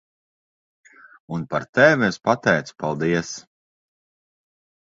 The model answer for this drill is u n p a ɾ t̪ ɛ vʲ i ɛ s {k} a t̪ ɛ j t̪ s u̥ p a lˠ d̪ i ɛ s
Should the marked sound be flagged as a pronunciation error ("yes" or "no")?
yes